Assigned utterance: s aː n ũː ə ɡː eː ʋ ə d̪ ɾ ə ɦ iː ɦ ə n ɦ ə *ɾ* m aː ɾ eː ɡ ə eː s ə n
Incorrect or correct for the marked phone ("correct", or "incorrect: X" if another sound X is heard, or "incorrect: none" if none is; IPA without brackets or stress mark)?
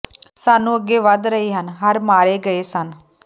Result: correct